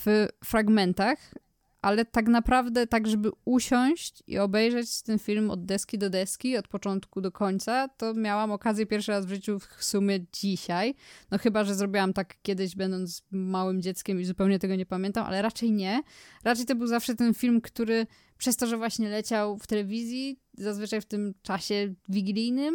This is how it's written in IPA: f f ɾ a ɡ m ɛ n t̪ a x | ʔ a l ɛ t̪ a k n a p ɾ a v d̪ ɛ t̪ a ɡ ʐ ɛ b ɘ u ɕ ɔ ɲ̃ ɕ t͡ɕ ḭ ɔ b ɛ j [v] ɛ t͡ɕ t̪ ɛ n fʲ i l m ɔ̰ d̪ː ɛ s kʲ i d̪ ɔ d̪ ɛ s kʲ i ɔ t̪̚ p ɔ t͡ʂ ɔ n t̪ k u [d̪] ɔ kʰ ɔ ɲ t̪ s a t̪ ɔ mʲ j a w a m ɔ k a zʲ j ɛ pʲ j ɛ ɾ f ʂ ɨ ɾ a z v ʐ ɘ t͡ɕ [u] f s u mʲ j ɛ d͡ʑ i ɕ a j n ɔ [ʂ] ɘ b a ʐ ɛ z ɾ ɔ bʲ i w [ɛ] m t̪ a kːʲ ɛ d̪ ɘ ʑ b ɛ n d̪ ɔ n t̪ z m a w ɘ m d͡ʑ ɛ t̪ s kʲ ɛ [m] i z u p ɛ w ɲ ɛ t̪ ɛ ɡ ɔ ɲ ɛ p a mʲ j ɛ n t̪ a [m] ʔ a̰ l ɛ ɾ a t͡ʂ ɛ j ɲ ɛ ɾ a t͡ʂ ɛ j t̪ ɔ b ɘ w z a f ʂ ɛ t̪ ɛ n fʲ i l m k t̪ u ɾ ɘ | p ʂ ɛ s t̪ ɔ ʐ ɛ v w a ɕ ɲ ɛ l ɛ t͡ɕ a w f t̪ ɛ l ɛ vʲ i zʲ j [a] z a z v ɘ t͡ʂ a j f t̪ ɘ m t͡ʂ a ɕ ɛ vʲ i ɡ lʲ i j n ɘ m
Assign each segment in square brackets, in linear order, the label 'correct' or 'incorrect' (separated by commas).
incorrect, correct, correct, incorrect, incorrect, correct, correct, incorrect